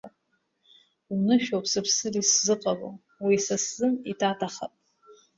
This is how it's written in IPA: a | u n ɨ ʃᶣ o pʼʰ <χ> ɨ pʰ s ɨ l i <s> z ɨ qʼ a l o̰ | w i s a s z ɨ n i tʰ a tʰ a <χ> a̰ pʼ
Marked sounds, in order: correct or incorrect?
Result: incorrect: s, correct, correct

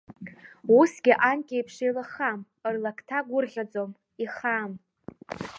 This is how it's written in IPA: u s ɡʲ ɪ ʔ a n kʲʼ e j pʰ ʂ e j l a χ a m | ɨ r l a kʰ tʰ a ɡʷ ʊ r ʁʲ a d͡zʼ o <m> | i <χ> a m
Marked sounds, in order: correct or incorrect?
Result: correct, correct

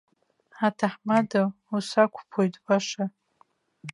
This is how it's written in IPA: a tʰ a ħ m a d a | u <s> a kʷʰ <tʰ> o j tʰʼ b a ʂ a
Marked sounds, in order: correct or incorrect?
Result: correct, incorrect: pʰ

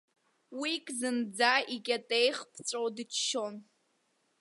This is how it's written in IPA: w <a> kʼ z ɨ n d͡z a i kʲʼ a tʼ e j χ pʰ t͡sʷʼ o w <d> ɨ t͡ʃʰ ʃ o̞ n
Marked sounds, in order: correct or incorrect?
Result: incorrect: i, correct

